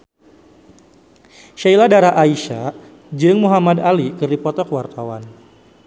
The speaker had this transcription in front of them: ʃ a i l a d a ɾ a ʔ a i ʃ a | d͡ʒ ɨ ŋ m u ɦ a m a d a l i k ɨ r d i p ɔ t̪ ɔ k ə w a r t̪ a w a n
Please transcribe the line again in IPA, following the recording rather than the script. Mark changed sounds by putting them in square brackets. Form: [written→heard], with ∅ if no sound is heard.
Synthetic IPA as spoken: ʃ a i l a d a ɾ a ʔ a i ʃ a | d͡ʒ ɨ ŋ m u ɦ a m a d a l i k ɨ r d i p ɔ t̪ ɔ k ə w a r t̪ a w a n